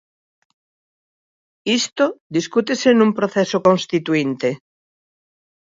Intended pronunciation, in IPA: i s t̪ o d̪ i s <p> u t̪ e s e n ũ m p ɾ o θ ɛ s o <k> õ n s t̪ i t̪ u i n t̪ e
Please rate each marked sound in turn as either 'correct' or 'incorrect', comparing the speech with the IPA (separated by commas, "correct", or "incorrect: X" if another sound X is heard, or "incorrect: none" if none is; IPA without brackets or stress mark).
incorrect: k, correct